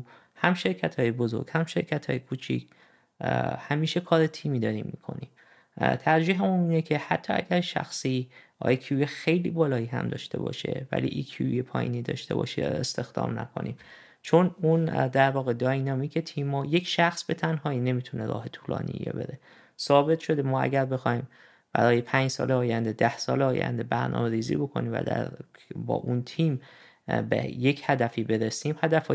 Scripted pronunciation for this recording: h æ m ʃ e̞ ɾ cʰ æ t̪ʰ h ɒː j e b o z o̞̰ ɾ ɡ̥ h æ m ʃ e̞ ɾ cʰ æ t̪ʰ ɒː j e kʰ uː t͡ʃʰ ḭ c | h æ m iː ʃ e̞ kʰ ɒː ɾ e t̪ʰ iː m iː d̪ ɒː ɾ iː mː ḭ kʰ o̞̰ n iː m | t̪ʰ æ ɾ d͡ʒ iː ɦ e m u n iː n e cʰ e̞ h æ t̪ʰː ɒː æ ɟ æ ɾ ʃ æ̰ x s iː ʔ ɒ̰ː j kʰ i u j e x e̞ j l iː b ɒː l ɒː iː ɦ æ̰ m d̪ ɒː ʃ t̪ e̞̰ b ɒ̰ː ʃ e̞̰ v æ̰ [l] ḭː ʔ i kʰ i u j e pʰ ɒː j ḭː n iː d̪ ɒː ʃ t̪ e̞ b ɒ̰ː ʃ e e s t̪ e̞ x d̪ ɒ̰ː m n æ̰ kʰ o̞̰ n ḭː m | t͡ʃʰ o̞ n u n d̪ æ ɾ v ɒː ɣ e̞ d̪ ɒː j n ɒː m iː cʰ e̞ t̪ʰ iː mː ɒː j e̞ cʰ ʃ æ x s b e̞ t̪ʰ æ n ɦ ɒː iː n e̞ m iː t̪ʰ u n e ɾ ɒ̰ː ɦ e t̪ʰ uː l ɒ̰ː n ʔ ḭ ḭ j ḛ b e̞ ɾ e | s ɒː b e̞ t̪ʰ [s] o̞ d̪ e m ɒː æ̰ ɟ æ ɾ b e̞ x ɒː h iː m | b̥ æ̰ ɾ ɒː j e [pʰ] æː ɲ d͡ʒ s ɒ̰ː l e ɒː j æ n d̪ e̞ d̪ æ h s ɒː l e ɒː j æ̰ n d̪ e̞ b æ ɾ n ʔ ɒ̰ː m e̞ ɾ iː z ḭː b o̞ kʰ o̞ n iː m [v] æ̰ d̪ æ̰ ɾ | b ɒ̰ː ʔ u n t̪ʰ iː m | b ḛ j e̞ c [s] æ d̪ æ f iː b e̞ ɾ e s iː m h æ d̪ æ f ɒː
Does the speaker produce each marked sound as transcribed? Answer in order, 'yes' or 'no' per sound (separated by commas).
yes, no, yes, yes, no